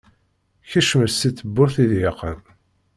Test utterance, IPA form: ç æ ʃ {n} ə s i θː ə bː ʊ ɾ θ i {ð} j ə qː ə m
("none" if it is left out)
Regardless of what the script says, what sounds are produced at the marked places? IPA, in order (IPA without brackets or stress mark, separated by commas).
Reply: m, ð